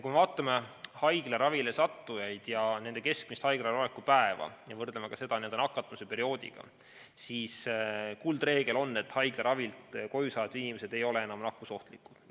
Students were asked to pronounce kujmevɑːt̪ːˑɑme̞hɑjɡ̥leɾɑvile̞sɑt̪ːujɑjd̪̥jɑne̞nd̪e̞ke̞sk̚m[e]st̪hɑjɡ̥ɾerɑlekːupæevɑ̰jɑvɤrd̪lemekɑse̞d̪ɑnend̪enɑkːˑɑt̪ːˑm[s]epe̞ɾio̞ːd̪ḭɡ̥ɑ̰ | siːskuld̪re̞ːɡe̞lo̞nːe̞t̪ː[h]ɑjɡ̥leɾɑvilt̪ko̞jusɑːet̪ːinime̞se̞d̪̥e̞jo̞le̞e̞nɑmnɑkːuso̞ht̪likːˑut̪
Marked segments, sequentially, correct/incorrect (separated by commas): incorrect, correct, correct